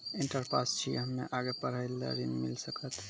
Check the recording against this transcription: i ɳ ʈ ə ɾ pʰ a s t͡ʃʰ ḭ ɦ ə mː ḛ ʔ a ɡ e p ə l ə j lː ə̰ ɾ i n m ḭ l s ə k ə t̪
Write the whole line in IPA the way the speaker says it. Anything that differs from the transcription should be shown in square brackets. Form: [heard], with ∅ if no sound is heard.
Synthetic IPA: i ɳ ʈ ə ɾ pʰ a s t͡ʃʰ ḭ ɦ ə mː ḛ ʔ a ɡ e p ə [ɾ] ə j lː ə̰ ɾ i n m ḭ l s ə k ə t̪